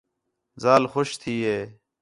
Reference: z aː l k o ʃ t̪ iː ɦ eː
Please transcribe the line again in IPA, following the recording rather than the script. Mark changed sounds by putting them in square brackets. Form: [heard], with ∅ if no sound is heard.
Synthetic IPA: z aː l [x] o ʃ [t̪ʰ] iː ɦ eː